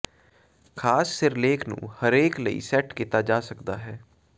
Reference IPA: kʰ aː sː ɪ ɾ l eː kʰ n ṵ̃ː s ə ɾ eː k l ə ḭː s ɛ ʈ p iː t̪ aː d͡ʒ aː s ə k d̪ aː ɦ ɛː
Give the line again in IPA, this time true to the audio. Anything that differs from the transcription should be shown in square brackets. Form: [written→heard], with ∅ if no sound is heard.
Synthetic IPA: kʰ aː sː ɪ ɾ l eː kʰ n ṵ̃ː [s→h] ə ɾ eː k l ə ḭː s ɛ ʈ [p→k] iː t̪ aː d͡ʒ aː s ə k d̪ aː ɦ ɛː

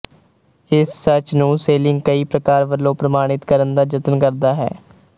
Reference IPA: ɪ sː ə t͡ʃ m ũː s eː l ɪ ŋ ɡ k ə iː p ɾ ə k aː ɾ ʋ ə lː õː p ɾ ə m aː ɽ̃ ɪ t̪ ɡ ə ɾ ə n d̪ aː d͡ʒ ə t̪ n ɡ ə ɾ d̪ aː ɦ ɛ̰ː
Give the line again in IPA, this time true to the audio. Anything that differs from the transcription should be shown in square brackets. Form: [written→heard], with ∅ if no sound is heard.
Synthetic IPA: ɪ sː ə t͡ʃ [m→n] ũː s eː l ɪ ŋ ɡ k ə iː p ɾ ə k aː ɾ ʋ ə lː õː p ɾ ə m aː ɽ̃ ɪ t̪ [ɡ→k] ə ɾ ə n d̪ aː d͡ʒ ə t̪ n [ɡ→k] ə ɾ d̪ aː ɦ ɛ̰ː

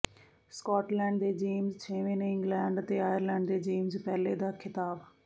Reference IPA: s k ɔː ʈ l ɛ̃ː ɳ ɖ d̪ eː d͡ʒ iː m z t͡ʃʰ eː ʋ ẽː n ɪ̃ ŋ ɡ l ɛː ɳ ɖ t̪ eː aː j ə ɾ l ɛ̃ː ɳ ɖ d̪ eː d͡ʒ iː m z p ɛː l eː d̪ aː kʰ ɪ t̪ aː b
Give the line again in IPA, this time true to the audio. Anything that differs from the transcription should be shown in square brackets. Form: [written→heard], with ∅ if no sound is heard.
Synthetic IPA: s k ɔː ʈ l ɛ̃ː ɳ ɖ d̪ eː d͡ʒ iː m z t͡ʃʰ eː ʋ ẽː n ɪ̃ ŋ ɡ l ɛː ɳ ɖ t̪ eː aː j ə ɾ l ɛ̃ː ɳ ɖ d̪ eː d͡ʒ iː m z p ɛː l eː d̪ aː kʰ ɪ t̪ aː b

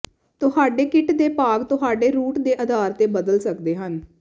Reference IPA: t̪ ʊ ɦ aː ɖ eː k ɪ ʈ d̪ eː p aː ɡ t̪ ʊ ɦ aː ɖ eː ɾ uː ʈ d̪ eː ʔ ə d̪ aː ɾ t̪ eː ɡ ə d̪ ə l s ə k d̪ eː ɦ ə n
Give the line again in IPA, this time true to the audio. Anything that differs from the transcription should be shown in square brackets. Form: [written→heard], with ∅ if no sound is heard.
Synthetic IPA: t̪ ʊ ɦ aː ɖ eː k ɪ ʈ d̪ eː p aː ɡ t̪ ʊ ɦ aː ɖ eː ɾ uː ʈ d̪ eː ʔ ə d̪ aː ɾ t̪ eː [ɡ→b] ə d̪ ə l s ə k d̪ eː ɦ ə n

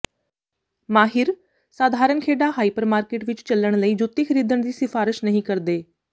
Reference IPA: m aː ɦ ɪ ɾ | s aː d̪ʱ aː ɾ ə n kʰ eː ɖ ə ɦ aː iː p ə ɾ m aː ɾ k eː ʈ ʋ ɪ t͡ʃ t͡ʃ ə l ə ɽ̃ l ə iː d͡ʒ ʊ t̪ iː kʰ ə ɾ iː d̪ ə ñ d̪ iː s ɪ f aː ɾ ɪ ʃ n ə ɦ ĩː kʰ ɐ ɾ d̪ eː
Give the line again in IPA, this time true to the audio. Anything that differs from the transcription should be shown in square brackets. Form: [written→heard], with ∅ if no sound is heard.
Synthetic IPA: m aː ɦ ɪ ɾ | s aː d̪ʱ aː ɾ ə n kʰ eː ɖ [ə→a] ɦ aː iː p ə ɾ m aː ɾ k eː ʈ ʋ ɪ t͡ʃ t͡ʃ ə l ə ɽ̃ l ə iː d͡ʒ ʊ t̪ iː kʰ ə ɾ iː d̪ ə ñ d̪ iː s ɪ f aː ɾ ɪ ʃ n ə ɦ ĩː [kʰ→k] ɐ ɾ d̪ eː

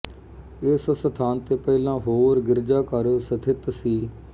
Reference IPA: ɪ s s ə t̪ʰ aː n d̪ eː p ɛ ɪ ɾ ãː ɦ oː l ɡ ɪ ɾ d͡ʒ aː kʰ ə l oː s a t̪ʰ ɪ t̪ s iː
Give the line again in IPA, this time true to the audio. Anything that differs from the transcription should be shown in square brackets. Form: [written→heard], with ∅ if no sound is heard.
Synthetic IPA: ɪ s s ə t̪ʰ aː n [d̪→t̪] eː p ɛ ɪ [ɾ→l] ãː ɦ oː [l→ɾ] ɡ ɪ ɾ d͡ʒ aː [kʰ→k] ə [l→ɾ] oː s [a→ə] t̪ʰ ɪ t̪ s iː

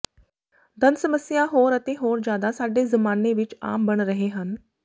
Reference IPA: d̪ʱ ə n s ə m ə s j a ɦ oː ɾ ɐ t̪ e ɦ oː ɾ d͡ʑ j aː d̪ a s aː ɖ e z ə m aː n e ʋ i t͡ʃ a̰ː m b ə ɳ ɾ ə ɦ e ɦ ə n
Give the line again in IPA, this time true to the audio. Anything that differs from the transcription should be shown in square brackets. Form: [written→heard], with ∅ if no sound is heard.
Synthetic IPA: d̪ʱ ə n s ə m ə s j a ɦ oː ɾ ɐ t̪ e ɦ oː ɾ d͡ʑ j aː d̪ a s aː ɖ e z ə m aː n e ʋ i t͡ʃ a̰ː m b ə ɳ ɾ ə ɦ e ɦ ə n

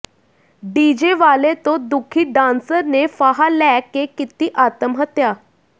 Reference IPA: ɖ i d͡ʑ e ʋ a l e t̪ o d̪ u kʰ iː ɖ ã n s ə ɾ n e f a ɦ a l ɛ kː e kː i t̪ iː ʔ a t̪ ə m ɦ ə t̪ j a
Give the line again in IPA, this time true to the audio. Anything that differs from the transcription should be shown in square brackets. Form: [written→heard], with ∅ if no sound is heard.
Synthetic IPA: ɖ i d͡ʑ e ʋ a l e t̪ o d̪ u kʰ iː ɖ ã n s ə ɾ n e f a ɦ a l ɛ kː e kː i t̪ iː ʔ a t̪ ə m ɦ ə t̪ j a

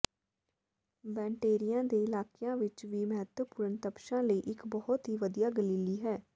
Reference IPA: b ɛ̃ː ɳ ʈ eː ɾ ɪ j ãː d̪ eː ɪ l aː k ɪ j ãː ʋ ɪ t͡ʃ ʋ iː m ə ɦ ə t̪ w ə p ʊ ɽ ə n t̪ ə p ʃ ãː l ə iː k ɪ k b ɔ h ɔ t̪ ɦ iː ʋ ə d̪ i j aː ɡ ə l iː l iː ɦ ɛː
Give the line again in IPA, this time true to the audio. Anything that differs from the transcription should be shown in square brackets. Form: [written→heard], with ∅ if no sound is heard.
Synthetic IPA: b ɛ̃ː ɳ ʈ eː ɾ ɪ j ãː d̪ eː ɪ l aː k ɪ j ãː ʋ ɪ t͡ʃ ʋ iː m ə ɦ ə t̪ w ə p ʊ [ɽ→ɾ] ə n t̪ ə p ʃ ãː l ə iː [k→ʔ] ɪ k b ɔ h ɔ t̪ ɦ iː ʋ ə d̪ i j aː ɡ ə l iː l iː ɦ ɛː

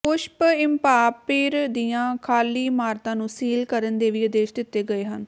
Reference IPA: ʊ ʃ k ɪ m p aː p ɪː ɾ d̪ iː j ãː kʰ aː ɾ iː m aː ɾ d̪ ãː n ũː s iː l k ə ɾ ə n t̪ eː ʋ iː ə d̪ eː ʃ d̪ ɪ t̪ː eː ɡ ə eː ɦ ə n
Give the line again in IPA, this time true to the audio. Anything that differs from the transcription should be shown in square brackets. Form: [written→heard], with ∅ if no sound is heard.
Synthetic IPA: ʊ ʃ [k→p] ɪ m p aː p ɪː ɾ d̪ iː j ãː kʰ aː [ɾ→l] iː m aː ɾ [d̪→t̪] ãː n ũː s iː l k ə ɾ ə n [t̪→d̪] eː ʋ iː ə d̪ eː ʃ d̪ ɪ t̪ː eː ɡ ə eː ɦ ə n

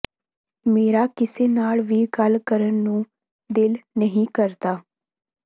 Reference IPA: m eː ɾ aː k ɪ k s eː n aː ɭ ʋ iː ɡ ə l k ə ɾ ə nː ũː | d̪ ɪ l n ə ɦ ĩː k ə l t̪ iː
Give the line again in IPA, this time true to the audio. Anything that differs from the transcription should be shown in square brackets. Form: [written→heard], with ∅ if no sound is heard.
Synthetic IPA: m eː ɾ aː k ɪ [k→∅] s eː n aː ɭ ʋ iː ɡ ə l k ə ɾ ə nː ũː | d̪ ɪ l n ə ɦ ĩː k ə [l→ɾ] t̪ [iː→aː]

